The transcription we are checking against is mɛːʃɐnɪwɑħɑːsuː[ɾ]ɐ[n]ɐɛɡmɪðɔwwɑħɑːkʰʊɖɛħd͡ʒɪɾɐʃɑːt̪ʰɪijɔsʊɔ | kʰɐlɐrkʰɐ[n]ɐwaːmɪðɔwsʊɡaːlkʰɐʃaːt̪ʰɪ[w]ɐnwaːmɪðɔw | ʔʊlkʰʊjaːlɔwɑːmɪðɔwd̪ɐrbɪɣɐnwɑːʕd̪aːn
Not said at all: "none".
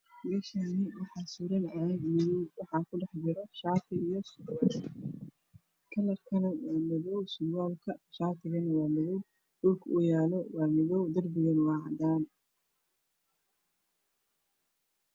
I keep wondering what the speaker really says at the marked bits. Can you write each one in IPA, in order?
ɾ, n, n, ɣ

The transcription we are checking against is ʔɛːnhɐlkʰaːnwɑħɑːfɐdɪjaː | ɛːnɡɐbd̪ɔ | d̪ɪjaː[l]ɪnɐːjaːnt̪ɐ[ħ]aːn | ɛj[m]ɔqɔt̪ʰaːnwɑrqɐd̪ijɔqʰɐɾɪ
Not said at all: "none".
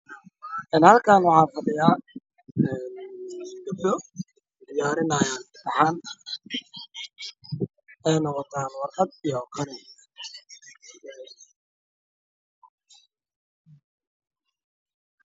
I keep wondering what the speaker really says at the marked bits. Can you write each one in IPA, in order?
ɾ, ħ, n

